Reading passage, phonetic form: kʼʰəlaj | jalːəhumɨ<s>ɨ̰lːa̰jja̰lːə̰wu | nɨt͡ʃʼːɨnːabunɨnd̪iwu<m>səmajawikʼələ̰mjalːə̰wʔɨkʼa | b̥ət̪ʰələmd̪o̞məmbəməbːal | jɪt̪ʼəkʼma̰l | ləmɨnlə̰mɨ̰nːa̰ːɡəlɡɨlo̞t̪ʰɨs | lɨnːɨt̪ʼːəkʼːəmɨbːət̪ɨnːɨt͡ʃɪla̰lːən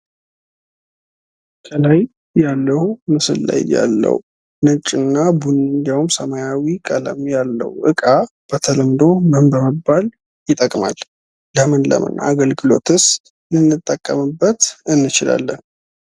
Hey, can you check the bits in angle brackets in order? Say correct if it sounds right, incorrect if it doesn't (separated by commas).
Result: correct, correct